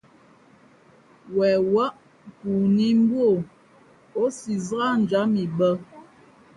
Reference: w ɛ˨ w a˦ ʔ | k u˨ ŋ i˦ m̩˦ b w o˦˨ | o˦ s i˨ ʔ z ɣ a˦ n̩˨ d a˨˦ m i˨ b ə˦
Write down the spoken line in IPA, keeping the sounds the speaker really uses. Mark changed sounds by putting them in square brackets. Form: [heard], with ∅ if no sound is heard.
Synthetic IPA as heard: w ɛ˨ w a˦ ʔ | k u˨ [n] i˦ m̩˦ b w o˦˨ | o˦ s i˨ [∅] z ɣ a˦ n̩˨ [d͡ʒ] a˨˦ m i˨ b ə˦